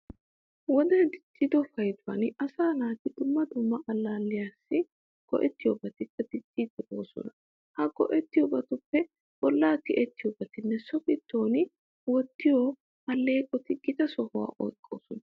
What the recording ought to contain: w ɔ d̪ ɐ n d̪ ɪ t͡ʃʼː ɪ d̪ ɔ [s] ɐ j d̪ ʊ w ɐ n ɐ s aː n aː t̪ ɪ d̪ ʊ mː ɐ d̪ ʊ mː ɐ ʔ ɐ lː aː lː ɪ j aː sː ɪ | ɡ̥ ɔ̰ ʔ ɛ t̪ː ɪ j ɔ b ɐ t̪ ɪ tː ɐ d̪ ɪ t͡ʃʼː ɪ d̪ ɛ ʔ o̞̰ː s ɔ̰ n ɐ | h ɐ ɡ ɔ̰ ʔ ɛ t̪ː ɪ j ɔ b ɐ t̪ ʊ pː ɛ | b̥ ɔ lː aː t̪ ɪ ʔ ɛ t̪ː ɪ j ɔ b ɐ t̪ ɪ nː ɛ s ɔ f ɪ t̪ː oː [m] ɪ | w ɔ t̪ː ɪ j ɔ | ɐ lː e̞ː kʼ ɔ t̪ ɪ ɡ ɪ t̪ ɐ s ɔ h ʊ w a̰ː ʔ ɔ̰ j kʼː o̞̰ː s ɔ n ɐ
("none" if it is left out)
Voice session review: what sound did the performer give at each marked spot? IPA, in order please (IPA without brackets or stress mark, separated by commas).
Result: f, n